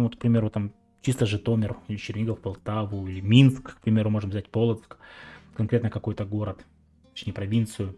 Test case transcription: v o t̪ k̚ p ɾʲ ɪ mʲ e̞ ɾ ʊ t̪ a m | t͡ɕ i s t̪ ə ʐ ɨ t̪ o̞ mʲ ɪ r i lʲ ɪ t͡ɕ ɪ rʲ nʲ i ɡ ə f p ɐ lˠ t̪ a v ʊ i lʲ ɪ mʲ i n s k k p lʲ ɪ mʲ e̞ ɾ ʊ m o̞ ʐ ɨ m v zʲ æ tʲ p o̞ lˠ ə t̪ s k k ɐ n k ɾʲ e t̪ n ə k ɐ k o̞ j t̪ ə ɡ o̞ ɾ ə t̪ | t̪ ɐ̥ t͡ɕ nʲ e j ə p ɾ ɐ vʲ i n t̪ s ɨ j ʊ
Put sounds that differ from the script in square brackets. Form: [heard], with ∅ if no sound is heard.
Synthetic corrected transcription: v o t̪ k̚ p ɾʲ ɪ mʲ e̞ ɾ ʊ t̪ a m | t͡ɕ i s t̪ ə ʐ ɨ t̪ o̞ mʲ ɪ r i lʲ ɪ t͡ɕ ɪ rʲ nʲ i ɡ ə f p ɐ lˠ t̪ a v ʊ i lʲ ɪ mʲ i n s k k p [ɾʲ] ɪ mʲ e̞ ɾ ʊ m o̞ ʐ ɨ m v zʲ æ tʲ p o̞ lˠ ə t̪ s k k ɐ n k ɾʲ e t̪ n ə k ɐ k o̞ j t̪ ə ɡ o̞ ɾ ə t̪ | t̪ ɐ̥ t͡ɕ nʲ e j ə p ɾ ɐ vʲ i n t̪ s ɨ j ʊ